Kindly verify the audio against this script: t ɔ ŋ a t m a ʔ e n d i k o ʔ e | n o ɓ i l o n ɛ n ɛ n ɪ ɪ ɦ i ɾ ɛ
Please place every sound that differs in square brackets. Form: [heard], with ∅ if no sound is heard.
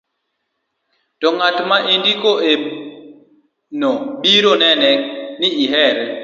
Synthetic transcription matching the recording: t ɔ ŋ a t m a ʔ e n d i k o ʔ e | n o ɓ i [ɾ] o n ɛ n ɛ n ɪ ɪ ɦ [ɛ] ɾ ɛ